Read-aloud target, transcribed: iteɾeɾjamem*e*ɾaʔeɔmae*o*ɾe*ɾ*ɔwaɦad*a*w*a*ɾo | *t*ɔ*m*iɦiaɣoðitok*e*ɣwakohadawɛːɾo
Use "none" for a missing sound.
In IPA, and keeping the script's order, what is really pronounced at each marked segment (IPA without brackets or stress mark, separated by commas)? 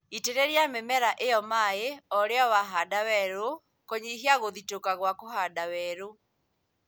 ɛ, ɔ, none, a, ɛ, k, ɲ, a